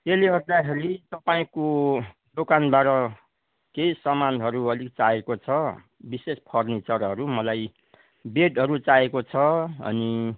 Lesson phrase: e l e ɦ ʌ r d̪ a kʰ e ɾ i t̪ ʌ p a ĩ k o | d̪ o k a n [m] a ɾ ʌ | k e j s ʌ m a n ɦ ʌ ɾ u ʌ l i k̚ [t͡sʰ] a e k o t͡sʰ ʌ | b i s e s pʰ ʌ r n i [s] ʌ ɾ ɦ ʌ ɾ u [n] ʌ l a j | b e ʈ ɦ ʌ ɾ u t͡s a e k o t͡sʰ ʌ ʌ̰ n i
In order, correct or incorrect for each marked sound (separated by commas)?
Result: incorrect, incorrect, incorrect, incorrect